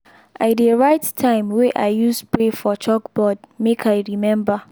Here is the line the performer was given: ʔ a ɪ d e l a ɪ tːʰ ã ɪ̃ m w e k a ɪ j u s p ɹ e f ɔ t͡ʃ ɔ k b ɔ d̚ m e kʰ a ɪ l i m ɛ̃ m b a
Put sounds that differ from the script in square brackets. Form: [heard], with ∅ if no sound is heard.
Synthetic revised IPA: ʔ a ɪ d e [ɹ] a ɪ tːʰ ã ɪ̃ m w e [ʔ] a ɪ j u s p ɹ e f ɔ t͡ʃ ɔ k b ɔ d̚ m e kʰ a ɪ [ɹ] i m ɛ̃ m b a